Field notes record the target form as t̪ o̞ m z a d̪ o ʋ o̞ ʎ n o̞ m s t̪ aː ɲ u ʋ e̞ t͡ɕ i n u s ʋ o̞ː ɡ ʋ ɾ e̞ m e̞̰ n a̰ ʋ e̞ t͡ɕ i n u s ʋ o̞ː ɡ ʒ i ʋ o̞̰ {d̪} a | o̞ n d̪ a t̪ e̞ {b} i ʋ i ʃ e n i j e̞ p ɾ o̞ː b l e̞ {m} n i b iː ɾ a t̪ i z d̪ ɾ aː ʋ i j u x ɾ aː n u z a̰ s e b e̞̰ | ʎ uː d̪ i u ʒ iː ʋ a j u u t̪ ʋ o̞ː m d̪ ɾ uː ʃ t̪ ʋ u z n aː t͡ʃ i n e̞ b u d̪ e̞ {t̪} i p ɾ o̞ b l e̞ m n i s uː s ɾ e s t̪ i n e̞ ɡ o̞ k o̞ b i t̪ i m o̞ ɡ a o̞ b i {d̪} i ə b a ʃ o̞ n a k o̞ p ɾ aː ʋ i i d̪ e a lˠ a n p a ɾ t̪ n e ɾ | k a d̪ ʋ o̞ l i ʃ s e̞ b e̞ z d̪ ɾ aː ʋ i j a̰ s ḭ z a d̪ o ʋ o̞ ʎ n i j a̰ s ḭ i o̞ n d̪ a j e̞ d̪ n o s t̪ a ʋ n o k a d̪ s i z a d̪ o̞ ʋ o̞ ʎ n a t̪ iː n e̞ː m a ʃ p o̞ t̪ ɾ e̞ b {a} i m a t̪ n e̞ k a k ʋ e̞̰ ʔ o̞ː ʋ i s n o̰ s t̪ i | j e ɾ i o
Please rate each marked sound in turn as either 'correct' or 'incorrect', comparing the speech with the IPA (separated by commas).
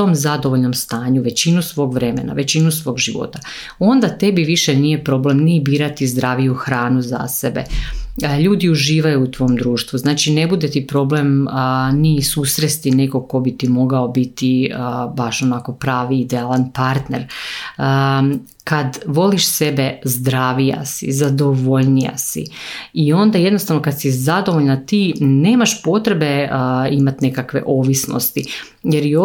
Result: incorrect, correct, correct, correct, incorrect, incorrect